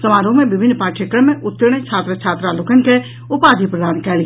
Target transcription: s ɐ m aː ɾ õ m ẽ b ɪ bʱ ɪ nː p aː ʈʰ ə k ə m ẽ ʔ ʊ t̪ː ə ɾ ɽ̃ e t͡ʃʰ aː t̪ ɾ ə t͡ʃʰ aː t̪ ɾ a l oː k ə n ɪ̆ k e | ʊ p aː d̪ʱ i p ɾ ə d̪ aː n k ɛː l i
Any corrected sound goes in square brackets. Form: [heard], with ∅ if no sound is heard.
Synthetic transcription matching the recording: s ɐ m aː ɾ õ m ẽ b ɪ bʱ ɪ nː p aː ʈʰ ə k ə m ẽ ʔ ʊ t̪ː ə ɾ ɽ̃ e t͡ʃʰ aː t̪ ɾ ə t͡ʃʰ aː t̪ ɾ a l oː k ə n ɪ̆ k e | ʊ p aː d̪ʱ i p ɾ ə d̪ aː n k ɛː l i